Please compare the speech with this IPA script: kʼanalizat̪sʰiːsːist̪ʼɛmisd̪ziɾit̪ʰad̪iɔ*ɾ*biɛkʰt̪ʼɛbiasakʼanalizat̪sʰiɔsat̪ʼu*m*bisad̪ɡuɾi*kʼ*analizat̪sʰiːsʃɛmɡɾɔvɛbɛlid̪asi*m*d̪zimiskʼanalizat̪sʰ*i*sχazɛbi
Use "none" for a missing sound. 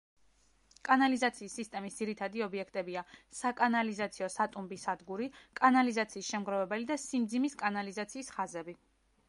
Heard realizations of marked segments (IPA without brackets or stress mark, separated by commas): none, m, kʼ, m, iː